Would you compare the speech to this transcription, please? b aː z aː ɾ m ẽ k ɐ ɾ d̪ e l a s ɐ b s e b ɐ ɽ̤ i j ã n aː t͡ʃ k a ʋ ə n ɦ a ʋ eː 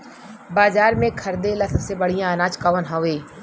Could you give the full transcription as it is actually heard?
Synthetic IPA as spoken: b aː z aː ɾ m ẽ kʰ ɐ ɾ d̪ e l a s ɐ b s e b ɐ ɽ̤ i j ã n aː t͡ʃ k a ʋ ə n ɦ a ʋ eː